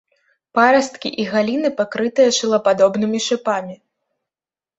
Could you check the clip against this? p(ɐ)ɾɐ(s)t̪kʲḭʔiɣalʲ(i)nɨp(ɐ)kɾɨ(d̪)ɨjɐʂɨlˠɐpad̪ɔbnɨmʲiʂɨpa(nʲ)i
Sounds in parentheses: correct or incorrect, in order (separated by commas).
incorrect, correct, correct, incorrect, incorrect, incorrect